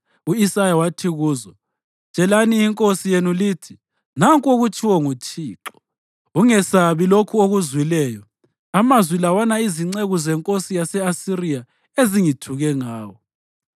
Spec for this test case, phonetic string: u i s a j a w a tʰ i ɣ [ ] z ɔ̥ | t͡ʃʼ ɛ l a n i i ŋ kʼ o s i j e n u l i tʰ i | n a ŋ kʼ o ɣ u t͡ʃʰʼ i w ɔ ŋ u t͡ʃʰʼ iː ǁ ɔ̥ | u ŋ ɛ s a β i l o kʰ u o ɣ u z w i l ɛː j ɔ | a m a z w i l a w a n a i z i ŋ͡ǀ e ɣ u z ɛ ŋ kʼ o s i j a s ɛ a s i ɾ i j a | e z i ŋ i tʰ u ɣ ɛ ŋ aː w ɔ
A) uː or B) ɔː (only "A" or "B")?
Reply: A